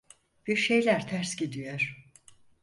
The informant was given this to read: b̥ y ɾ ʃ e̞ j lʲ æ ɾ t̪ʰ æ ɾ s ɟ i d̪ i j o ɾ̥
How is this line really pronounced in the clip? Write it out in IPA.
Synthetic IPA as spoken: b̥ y ɾ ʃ e̞ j lʲ æ ɾ t̪ʰ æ ɾ s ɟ i d̪ i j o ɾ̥